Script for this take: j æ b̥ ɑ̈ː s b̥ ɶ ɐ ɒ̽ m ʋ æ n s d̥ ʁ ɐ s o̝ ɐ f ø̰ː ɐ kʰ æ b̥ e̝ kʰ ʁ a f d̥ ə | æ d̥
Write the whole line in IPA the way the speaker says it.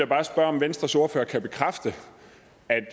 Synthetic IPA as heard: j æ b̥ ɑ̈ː s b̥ ɶ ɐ ɒ̽ m ʋ e n s d̥ ʁ ɐ s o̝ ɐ f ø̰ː ɐ kʰ æ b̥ e̝ kʰ ʁ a f d̥ ə | æ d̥

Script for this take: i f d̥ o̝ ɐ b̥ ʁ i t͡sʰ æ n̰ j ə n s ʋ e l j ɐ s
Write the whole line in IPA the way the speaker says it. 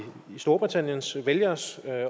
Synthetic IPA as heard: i s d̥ o̝ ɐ b̥ ʁ i t͡sʰ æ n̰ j ə n s ʋ e l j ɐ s

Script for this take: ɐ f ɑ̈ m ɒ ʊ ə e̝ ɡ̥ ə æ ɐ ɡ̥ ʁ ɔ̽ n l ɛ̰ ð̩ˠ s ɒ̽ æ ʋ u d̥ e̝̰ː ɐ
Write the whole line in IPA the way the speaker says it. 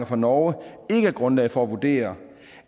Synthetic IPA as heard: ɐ f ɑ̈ n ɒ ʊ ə e̝ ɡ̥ ə æ ɐ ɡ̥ ʁ ɔ̽ n l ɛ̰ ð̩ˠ f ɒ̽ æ ʋ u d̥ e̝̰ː ɐ

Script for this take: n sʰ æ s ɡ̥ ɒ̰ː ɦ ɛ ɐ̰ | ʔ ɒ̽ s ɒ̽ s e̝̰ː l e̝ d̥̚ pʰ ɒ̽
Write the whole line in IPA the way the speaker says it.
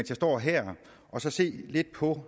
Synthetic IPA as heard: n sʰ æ s d̥ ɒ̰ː ɦ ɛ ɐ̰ | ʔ ɒ̽ s ɒ̽ s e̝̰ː l e̝ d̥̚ pʰ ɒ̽

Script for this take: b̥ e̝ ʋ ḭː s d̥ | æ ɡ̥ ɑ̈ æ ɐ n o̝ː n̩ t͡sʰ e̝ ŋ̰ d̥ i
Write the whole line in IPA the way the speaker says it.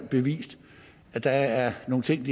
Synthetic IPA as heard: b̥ e̝ ʋ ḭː s d̥ | æ d̥ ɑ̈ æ ɐ n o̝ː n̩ t͡sʰ e̝ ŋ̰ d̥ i

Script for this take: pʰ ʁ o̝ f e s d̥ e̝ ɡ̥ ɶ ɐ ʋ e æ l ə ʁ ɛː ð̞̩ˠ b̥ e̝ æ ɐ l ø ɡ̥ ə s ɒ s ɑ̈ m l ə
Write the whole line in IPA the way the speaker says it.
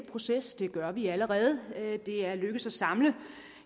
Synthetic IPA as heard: pʰ ʁ o̝ s e s d̥ e̝ ɡ̥ ɶ ɐ ʋ i æ l ə ʁ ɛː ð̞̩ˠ d̥ e̝ æ ɐ l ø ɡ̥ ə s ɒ s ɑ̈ m l ə

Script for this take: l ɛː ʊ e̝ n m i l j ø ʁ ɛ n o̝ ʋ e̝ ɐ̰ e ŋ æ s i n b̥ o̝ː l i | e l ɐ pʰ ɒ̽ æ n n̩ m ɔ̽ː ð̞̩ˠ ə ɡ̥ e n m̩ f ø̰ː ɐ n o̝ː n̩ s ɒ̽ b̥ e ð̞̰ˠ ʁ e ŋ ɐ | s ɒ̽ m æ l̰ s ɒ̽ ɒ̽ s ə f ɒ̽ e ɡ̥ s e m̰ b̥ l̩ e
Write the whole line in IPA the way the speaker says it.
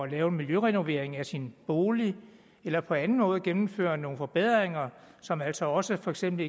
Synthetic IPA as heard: l ɛː ʊ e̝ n m i l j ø ʁ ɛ n o̝ ʋ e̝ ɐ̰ e ŋ æ s i n b̥ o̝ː l i | e l ɐ pʰ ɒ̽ æ n n̩ m ɔ̽ː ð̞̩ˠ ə ɡ̥ e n m̩ f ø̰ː ɐ n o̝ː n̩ f ɒ̽ b̥ e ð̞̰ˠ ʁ e ŋ ɐ | s ɒ̽ m æ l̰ s ɒ̽ ɒ̽ s ə f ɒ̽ e ɡ̥ s e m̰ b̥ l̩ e

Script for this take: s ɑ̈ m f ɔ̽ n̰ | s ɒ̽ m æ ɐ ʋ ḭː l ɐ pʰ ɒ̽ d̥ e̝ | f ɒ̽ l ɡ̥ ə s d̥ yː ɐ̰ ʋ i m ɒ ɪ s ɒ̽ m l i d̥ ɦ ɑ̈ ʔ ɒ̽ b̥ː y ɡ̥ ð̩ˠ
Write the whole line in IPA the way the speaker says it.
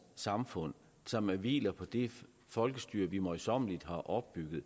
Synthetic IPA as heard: s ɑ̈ m f ɔ̽ n̰ | s ɒ̽ m æ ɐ ʋ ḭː l ɐ pʰ ɒ̽ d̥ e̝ | f ɒ̽ l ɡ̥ ə s d̥ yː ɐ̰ ʋ i m ɒ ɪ s ɒ̽ m l i d̥ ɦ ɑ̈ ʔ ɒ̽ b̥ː y ɡ̥ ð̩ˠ

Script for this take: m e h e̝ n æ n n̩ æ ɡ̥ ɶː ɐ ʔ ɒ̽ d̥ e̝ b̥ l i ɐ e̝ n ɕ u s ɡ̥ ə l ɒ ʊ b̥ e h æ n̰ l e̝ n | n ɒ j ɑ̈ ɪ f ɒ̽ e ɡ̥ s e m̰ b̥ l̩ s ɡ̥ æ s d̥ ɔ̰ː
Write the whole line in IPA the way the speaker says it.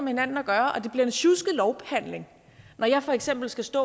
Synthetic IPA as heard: m e h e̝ n æ n n̩ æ ɡ̥ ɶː ɐ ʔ ɒ̽ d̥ e̝ b̥ l i ɐ e̝ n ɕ u s ɡ̥ ə l ɒ ʊ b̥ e h æ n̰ l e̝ ŋ | n ɒ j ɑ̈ ɪ f ɒ̽ e ɡ̥ s e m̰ b̥ l̩ s ɡ̥ æ s d̥ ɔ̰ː

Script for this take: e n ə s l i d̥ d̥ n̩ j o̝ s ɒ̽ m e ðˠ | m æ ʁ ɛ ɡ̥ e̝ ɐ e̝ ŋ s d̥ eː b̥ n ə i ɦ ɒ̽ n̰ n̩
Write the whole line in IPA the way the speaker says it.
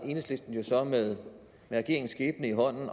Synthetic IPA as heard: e n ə s l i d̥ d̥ n̩ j o̝ s ɒ̽ m e ðˠ | m e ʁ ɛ ɡ̥ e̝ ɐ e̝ ŋ s ɡ̥ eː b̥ n ə i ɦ ɒ̽ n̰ n̩

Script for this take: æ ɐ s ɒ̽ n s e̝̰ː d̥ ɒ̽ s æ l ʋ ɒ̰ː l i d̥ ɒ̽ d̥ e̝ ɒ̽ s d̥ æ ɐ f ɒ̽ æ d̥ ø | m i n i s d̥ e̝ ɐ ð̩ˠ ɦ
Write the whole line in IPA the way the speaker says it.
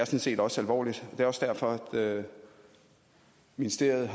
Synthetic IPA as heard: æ ɐ s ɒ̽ n s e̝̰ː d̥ ɒ̽ s æ l ʋ ɒ̰ː l i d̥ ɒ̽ d̥ e̝ ɒ̽ s d̥ æ ɐ f ɒ̽ æ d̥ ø | m i n i s d̥ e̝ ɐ ð̩ˠ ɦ

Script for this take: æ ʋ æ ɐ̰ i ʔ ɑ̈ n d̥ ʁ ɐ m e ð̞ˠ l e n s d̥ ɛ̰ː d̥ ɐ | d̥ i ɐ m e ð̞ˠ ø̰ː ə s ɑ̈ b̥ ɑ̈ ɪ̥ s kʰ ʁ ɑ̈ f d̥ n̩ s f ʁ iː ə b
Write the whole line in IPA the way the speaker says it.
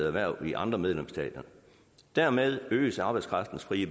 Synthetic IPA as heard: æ ʋ æ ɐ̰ i ʔ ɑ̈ n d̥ ʁ ɐ m e ð̞ˠ l e m s d̥ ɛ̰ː d̥ ɐ | d̥ æ ɐ m e ð̞ˠ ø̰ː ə s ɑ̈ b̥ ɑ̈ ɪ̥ s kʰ ʁ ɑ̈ f d̥ n̩ s f ʁ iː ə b

